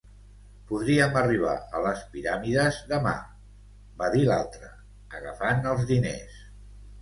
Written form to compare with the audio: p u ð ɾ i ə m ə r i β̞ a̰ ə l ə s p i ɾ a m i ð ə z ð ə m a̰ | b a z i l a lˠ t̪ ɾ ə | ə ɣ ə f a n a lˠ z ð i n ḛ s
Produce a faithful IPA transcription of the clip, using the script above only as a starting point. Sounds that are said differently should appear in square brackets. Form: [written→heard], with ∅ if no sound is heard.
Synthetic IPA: p u ð ɾ i ə m ə r i β̞ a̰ ə l ə s p i ɾ a m i ð ə z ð ə m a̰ | b a [z→ð] i l a lˠ t̪ ɾ ə | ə ɣ ə f a n [a→ə] lˠ z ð i n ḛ s